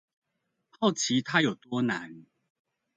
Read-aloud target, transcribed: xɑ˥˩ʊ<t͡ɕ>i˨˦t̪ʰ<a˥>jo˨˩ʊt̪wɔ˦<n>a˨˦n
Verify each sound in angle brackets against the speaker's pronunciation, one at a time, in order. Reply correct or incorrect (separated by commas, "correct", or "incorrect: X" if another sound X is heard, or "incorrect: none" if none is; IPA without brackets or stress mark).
incorrect: t͡ɕʰ, correct, correct